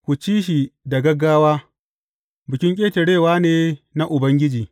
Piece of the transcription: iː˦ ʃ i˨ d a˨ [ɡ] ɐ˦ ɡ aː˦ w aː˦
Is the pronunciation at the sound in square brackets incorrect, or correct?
correct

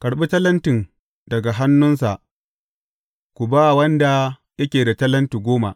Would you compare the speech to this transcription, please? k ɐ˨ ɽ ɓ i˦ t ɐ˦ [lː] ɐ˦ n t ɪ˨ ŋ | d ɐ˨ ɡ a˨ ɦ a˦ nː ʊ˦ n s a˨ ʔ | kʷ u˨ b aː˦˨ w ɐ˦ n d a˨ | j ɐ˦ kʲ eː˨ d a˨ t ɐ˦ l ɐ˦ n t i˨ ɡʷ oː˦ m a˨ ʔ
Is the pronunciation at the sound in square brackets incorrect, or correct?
incorrect: l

